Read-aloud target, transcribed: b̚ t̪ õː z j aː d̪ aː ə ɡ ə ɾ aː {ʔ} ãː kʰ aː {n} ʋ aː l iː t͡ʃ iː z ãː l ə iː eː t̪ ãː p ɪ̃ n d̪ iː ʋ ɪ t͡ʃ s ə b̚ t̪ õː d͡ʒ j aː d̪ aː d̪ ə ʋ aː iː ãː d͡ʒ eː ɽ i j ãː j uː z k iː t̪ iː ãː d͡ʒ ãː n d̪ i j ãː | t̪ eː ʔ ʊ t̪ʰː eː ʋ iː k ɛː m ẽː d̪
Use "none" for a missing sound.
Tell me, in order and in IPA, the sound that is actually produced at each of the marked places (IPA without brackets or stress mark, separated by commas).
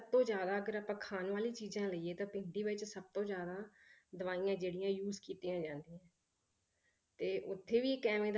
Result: p, n